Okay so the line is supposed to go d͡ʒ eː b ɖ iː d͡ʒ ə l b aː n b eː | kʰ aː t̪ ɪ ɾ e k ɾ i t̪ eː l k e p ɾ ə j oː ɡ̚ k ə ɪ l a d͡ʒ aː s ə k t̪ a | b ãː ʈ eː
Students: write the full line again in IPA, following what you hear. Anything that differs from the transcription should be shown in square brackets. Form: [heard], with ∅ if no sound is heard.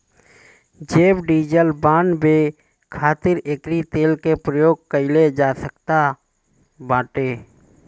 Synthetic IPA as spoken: d͡ʒ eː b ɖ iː d͡ʒ ə l b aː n b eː | kʰ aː t̪ ɪ ɾ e k ɾ i t̪ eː l k e p ɾ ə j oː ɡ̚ k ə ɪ l [e] d͡ʒ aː s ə k t̪ a | b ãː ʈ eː